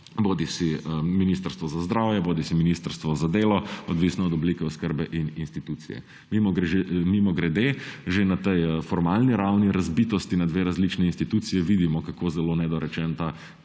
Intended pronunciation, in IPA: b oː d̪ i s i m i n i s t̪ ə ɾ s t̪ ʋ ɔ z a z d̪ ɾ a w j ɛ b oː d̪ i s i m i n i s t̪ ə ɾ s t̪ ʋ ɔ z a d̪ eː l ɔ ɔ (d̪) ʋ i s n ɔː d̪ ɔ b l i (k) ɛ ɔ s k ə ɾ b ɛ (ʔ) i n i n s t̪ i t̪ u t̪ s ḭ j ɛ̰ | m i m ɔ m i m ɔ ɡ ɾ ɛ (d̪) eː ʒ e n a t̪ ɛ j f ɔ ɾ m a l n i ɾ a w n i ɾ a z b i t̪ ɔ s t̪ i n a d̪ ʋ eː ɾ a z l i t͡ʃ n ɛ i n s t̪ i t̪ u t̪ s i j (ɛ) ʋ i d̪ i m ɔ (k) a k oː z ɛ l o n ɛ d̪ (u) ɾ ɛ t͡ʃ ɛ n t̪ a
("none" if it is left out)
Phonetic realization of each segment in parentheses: d̪, k, ʔ, d̪, ɛ, k, ɔ

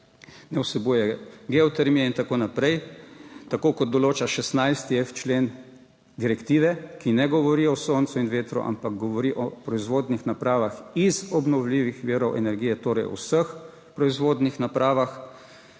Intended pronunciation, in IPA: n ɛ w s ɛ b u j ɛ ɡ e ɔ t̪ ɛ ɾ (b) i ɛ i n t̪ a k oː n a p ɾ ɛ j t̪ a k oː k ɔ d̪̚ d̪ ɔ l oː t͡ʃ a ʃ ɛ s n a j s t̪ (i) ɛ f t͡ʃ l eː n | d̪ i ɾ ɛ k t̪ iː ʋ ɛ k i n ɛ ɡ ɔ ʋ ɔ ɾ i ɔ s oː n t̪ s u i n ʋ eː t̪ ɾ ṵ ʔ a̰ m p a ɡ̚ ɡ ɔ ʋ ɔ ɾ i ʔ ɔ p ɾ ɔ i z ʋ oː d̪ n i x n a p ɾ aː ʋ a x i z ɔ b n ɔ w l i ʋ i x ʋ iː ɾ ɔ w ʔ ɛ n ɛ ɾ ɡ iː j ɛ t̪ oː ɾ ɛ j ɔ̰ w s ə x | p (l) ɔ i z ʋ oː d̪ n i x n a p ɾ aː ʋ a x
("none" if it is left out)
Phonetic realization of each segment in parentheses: m, i, ɾ

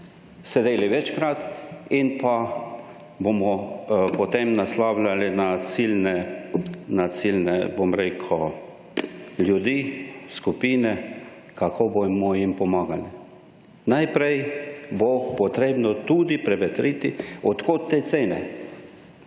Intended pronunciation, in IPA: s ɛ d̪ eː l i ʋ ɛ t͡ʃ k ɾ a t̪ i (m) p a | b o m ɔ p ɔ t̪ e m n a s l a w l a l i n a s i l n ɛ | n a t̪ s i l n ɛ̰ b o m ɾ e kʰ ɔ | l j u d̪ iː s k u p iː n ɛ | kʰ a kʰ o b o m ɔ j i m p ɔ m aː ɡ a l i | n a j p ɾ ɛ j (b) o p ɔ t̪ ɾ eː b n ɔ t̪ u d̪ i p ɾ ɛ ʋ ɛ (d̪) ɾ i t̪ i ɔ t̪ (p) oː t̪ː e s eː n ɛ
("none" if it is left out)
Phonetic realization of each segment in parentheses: n, b, t̪, k

